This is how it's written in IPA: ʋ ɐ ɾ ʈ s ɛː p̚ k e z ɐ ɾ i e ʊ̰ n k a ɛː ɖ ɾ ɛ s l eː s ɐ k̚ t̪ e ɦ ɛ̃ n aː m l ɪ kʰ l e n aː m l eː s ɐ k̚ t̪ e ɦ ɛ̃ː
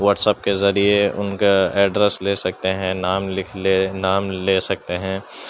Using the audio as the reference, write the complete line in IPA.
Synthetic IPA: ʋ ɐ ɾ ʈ s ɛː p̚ k e z ɐ ɾ i e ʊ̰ n k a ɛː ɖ ɾ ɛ s l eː s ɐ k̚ t̪ e ɦ ɛ̃ n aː m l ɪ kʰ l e n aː m l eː s ɐ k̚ t̪ e ɦ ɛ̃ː